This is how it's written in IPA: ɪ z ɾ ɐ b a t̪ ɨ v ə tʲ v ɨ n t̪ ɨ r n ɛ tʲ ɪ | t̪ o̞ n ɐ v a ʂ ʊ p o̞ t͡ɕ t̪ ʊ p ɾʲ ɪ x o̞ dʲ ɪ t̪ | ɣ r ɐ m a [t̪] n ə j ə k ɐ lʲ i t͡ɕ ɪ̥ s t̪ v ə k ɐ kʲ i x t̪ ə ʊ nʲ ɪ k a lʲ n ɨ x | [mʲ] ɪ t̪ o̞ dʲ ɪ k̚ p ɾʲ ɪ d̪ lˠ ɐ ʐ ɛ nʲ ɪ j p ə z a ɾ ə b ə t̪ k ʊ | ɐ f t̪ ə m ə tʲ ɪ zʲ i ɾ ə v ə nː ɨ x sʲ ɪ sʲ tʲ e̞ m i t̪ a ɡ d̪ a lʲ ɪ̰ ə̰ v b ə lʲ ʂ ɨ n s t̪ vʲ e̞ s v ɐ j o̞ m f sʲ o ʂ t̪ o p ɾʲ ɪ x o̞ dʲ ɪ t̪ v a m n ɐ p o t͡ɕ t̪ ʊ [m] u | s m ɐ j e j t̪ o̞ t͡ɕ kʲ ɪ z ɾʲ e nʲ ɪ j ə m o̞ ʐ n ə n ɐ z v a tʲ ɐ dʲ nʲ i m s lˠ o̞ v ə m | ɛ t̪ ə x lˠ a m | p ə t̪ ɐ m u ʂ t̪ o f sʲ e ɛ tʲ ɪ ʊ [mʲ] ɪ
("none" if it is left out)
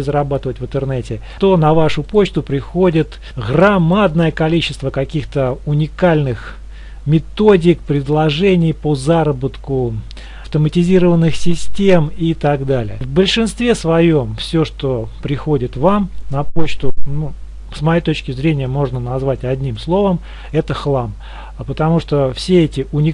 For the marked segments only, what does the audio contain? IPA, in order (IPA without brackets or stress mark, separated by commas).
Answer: d̪, mʲ, n, nʲ